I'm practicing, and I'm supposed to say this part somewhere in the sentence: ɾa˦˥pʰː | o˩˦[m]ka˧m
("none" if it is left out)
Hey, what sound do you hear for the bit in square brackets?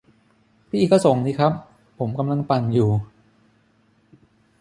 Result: m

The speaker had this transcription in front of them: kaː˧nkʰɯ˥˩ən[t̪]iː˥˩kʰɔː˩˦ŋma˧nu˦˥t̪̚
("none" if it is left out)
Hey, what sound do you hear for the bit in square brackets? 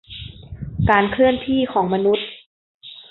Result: t̪ʰ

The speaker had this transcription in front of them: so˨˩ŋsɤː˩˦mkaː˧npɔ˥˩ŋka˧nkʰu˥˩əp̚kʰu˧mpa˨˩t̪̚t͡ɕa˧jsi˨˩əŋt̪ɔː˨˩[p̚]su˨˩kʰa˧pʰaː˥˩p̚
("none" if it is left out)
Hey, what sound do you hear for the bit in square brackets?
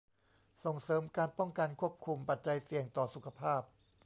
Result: none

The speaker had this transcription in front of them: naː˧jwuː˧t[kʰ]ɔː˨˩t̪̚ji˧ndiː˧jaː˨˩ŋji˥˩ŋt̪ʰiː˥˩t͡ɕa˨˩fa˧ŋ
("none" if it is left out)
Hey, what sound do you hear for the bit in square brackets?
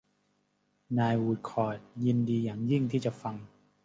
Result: kʰ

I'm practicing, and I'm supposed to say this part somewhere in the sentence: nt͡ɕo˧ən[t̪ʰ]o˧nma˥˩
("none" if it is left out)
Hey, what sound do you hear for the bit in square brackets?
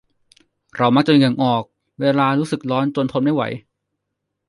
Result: t̪ʰ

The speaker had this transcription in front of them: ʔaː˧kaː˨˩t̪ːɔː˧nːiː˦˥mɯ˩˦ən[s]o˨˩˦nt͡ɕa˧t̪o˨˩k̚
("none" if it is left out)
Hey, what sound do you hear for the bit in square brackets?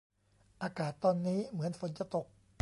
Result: f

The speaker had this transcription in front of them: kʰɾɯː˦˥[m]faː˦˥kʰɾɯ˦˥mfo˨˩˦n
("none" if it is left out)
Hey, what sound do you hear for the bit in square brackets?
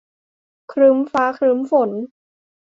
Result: m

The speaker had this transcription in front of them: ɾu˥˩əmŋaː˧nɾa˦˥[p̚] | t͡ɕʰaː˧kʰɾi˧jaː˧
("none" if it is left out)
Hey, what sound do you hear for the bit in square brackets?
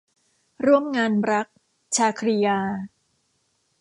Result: k̚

